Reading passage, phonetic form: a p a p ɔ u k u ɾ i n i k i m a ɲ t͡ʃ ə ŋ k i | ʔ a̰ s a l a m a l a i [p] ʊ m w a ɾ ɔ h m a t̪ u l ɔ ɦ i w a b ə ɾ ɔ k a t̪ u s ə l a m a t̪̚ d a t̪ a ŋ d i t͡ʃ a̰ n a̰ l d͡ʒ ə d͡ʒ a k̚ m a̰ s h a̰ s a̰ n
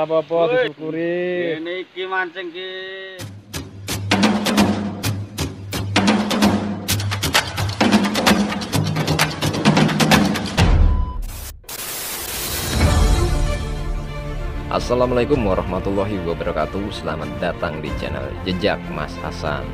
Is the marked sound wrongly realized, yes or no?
yes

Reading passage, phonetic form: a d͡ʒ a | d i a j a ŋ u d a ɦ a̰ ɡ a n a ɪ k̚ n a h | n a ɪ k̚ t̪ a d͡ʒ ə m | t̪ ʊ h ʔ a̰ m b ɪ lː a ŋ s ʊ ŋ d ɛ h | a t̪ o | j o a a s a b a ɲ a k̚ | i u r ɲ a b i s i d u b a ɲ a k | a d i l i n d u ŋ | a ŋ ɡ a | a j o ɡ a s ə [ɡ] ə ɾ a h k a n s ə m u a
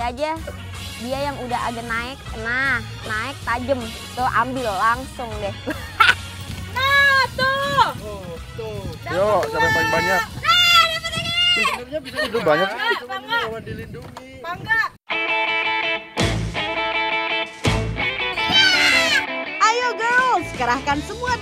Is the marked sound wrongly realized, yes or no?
yes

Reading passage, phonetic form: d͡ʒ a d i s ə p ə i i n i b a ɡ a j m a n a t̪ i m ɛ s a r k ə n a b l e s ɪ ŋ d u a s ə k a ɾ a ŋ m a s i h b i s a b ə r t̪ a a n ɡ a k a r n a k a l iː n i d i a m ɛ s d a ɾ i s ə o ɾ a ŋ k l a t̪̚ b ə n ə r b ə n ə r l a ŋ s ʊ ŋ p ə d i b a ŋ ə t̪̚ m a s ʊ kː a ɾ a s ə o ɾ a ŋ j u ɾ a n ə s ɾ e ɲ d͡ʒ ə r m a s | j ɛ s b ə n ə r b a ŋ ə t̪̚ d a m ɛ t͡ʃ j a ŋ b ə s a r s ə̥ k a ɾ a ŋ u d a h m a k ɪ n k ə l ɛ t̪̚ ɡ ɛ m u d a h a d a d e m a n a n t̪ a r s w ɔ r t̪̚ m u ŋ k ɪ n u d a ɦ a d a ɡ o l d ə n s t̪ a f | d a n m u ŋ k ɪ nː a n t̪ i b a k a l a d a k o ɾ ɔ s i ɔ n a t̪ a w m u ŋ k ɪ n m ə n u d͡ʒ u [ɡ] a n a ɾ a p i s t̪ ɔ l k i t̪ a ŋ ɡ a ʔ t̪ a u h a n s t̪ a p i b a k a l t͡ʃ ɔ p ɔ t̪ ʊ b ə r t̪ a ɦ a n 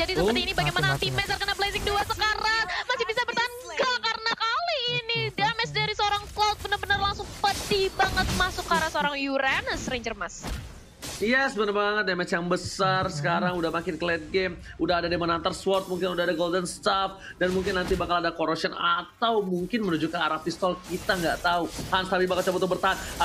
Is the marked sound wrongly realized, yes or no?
yes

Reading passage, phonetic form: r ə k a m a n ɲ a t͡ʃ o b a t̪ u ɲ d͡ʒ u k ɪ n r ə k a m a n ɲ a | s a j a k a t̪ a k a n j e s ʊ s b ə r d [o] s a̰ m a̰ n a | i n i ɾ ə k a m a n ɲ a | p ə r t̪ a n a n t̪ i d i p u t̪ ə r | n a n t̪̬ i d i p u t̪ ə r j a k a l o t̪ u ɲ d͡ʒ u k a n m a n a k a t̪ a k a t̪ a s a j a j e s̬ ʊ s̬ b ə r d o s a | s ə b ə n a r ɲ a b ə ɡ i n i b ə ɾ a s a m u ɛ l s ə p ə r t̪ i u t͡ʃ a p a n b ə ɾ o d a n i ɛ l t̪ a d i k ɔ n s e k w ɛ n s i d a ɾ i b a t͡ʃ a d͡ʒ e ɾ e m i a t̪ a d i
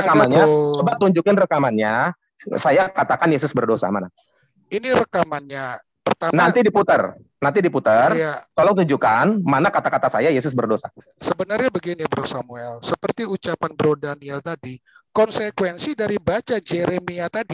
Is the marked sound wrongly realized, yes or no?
no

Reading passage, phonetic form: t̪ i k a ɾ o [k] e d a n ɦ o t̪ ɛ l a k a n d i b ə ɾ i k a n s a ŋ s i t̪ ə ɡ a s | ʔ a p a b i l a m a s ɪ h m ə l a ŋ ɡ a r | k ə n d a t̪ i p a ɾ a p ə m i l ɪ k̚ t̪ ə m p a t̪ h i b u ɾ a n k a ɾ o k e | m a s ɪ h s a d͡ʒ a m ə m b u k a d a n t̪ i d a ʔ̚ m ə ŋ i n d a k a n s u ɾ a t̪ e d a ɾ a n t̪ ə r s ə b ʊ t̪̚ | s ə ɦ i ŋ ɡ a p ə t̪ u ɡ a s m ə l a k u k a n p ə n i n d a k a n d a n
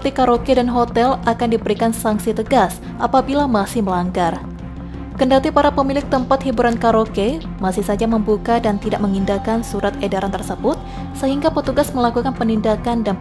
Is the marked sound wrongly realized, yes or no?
no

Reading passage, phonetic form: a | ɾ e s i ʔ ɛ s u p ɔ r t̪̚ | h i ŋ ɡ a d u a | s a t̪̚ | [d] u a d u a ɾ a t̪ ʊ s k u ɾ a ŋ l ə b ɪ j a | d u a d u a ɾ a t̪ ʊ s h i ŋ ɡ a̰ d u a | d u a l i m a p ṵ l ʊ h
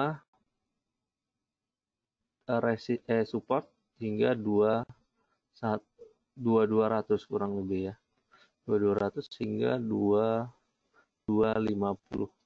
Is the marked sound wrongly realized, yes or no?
no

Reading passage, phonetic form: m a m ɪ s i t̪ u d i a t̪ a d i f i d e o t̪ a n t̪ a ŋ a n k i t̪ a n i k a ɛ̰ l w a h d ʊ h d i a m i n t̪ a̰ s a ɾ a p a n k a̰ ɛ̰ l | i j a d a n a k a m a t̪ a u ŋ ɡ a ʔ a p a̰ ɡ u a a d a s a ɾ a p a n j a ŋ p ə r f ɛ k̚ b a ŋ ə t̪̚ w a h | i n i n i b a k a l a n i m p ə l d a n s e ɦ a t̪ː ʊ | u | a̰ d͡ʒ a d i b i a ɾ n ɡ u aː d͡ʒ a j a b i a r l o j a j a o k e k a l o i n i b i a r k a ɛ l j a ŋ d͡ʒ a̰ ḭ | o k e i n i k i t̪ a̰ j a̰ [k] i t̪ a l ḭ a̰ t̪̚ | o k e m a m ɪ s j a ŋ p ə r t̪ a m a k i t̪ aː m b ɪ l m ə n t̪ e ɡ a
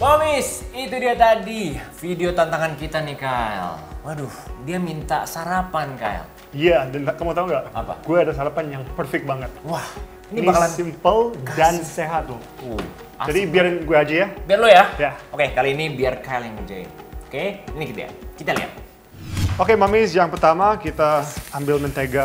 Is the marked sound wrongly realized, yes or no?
no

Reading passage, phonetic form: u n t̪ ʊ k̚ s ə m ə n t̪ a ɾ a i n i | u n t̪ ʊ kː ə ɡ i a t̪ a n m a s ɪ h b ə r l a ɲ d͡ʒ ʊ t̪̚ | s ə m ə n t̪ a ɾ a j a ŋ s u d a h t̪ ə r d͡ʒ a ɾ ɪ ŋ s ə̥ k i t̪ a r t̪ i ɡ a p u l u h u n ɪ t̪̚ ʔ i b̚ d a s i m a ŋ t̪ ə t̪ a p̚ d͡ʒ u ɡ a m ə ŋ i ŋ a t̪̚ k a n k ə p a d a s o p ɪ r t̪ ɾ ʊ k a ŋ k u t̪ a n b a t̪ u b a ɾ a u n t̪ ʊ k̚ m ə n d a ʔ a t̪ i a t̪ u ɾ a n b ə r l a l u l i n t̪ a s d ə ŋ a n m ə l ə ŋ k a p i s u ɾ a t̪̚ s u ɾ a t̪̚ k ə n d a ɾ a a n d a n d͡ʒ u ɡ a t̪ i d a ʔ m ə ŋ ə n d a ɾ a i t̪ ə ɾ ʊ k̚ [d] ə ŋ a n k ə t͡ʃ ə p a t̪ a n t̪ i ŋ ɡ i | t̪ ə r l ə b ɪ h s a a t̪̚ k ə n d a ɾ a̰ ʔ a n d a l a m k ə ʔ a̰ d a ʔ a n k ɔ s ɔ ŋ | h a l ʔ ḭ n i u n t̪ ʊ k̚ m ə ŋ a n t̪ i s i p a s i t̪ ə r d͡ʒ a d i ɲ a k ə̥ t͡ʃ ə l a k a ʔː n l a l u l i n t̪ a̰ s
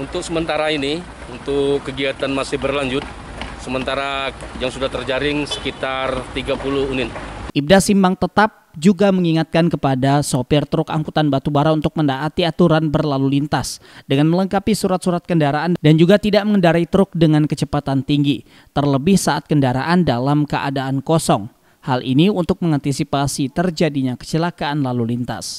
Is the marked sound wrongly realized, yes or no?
no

